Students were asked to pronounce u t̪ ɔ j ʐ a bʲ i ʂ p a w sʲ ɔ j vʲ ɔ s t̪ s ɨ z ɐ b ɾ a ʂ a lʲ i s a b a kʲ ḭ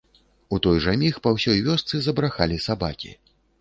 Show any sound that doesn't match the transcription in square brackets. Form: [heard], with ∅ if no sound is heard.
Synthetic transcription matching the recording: u t̪ ɔ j ʐ a [mʲ] i [x] p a w sʲ ɔ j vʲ ɔ s t̪ s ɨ z ɐ b ɾ a [x] a lʲ i s a b a kʲ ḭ